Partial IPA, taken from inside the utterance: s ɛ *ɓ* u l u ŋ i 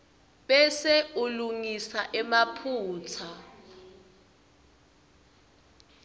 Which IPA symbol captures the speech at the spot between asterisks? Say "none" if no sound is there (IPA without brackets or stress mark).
none